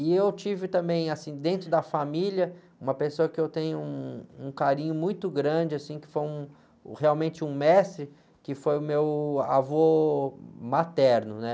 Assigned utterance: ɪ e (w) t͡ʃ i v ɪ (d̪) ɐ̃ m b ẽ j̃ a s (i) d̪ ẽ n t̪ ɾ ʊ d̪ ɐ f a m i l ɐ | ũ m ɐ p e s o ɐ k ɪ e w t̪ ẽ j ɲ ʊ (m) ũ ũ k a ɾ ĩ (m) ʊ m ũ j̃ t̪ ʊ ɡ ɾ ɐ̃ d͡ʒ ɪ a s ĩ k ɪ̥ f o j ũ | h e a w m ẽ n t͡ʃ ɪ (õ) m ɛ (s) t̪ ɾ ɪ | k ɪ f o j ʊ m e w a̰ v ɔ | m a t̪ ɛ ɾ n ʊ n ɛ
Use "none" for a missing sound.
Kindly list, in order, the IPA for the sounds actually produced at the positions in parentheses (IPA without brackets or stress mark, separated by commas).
w, t̪, ĩ, none, ɲ, ũ, s